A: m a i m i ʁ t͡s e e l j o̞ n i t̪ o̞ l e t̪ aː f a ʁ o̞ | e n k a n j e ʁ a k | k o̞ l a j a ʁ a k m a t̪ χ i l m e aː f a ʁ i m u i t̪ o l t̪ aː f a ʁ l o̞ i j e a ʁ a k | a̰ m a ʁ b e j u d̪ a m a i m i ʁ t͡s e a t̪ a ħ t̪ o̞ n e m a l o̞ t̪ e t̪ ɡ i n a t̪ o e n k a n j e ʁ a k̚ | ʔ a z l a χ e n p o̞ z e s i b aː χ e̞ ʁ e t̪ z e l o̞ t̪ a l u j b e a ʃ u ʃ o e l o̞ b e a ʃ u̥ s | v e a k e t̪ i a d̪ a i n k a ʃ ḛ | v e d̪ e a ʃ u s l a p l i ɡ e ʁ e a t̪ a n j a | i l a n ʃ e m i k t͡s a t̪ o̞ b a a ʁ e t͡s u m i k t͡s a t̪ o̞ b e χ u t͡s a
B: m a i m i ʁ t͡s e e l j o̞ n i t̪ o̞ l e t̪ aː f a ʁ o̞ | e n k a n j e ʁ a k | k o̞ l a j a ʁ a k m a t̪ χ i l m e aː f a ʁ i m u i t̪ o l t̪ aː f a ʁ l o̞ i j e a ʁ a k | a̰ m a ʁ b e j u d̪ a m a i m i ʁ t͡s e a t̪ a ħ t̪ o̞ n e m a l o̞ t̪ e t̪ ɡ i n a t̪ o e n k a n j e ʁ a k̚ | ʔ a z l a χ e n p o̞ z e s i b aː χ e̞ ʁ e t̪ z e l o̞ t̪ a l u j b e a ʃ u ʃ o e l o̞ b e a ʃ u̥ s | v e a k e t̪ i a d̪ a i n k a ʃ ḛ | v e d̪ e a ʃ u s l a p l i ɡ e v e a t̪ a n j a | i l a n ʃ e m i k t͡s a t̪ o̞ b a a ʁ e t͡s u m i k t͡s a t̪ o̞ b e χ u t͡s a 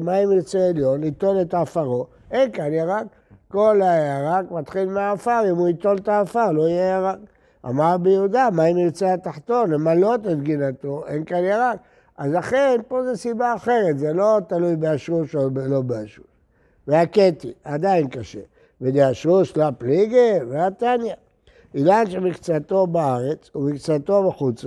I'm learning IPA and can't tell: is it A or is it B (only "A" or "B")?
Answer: B